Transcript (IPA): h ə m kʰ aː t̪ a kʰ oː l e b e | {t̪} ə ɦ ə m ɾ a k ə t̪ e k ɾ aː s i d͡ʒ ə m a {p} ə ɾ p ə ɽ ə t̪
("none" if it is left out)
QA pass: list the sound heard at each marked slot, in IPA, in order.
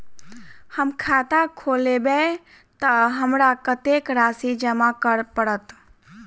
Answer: t̪, k

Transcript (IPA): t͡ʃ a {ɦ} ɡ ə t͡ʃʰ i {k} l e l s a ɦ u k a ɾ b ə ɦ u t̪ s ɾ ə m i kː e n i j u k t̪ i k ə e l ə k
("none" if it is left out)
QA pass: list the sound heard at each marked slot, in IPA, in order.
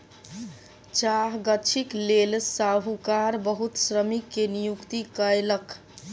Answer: ɦ, k

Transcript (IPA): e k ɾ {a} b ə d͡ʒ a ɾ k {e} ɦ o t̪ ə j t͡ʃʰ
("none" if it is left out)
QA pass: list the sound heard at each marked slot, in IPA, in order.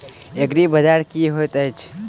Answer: i, i

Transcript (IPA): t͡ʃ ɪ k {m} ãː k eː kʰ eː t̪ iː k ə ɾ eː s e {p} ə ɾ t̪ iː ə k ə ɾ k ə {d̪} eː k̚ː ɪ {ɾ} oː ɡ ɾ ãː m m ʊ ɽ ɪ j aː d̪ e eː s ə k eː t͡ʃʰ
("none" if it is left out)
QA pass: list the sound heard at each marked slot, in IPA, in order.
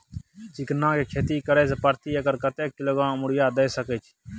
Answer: n, p, t̪, l

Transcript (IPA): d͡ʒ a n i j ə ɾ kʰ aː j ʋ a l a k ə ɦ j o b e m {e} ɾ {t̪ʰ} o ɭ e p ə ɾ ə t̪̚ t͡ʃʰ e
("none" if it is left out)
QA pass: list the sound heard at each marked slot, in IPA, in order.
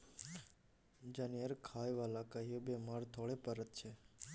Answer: a, t̪ʰ

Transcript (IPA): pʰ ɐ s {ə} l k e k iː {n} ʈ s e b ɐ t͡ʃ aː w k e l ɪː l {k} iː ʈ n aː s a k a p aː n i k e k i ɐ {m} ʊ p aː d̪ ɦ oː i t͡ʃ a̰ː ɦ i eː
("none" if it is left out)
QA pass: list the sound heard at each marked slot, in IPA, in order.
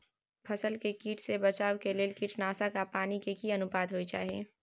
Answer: ə, none, k, n

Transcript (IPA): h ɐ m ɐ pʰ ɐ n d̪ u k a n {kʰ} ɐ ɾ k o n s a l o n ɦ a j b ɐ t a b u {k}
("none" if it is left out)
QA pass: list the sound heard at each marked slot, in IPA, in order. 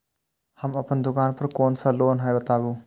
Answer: pʰ, none

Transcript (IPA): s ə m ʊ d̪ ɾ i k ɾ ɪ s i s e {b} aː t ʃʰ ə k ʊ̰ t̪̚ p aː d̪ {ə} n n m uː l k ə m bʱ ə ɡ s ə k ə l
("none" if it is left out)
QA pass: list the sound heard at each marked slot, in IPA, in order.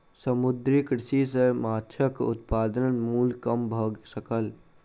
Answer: m, ə

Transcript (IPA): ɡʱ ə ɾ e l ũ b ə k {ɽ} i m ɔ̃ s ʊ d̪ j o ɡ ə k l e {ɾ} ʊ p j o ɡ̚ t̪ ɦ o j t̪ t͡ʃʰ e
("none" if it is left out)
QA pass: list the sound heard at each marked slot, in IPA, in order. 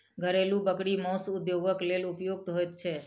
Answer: ɽ, l

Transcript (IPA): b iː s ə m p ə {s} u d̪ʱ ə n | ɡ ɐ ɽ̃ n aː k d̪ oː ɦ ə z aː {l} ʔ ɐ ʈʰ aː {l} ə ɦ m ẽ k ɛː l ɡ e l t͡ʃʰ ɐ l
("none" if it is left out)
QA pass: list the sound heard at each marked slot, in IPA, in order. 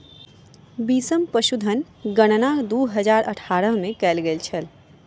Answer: ʃ, ɾ, ɾ

